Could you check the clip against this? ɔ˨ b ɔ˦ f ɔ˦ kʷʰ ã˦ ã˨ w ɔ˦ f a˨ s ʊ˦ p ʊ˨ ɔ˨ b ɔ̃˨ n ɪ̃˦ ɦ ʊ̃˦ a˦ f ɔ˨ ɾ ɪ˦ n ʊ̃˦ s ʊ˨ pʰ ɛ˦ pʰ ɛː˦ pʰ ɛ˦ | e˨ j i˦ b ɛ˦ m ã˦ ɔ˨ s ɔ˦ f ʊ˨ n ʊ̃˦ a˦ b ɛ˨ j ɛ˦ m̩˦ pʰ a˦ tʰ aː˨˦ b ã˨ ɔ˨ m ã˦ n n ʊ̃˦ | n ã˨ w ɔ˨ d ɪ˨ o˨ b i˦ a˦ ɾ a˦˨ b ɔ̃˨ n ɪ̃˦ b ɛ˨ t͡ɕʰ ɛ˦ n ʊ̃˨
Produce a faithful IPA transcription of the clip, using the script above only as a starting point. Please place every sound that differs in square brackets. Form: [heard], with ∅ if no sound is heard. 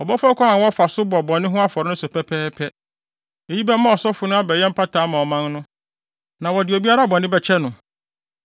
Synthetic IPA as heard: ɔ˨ b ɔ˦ f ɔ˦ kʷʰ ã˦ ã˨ w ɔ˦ f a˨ s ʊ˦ [b] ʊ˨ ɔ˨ b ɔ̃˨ n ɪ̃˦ ɦ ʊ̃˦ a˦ f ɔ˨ ɾ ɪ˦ n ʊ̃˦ s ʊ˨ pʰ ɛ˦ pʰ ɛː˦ pʰ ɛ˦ | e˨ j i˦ b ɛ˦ m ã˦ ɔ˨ s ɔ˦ f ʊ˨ n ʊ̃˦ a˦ b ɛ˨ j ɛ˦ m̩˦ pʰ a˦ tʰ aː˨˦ [m] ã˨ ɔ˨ m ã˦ n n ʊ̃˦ | n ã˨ w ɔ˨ d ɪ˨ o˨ b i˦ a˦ ɾ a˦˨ b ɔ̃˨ n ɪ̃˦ b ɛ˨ t͡ɕʰ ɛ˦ n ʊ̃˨